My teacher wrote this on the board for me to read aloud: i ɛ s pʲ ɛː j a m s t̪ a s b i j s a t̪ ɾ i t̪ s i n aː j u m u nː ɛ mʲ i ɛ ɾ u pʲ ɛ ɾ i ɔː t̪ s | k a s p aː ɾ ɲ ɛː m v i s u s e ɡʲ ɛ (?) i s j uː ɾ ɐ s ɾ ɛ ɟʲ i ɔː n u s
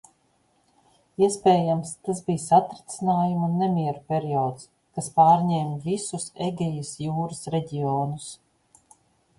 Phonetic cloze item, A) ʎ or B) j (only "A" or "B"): B